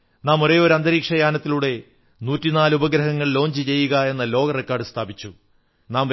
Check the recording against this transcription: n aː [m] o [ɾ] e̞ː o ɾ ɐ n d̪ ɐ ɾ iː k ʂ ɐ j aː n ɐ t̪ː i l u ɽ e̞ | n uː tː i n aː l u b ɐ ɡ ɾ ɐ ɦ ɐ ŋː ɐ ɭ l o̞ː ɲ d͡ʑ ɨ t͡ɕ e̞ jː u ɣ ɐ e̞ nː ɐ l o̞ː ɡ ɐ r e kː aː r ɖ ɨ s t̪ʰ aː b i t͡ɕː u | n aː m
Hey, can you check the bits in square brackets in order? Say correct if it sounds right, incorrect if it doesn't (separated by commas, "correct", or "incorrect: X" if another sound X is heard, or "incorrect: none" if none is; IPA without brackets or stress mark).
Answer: correct, correct